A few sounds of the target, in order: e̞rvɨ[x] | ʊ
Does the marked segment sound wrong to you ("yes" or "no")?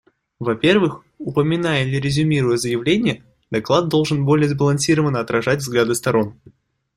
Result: no